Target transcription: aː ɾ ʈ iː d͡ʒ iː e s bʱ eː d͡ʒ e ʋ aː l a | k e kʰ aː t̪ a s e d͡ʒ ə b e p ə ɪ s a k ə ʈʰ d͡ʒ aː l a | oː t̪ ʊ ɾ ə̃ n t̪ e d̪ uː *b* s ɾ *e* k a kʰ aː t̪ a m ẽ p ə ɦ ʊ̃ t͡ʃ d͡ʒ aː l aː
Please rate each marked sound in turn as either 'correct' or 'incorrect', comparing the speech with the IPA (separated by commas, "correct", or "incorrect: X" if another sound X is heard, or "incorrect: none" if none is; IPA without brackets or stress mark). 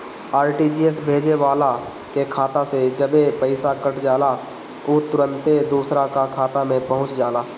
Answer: incorrect: none, incorrect: a